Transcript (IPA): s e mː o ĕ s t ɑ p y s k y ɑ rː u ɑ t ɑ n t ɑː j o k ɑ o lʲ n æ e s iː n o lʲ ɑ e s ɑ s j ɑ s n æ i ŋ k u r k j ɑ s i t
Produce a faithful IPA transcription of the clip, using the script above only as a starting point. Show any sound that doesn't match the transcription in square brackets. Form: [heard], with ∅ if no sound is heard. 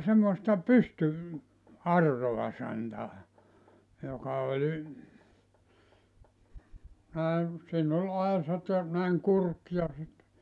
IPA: s e mː o ĕ s t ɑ p y s [t] y ɑ rː [o] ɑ [s] ɑ n t ɑː j o k ɑ o lʲ n æ e s iː n o lʲ ɑ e s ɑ [t] j ɑ [∅] n æ i ŋ k u r k j ɑ s i t